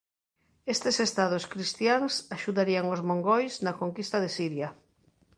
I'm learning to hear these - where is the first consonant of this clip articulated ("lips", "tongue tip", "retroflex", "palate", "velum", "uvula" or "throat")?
tongue tip